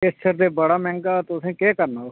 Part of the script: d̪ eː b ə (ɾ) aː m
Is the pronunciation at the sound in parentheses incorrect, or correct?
incorrect